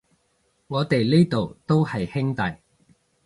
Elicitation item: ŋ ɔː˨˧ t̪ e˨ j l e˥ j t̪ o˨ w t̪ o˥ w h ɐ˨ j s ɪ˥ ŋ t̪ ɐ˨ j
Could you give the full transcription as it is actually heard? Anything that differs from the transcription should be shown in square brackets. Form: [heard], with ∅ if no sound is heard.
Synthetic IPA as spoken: ŋ ɔː˨˧ t̪ e˨ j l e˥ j t̪ o˨ w t̪ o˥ w h ɐ˨ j [h] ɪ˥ ŋ t̪ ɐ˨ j